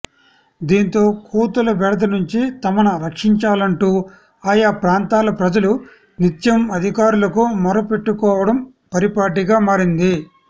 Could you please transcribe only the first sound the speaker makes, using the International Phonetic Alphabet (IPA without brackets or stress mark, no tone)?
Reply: d̪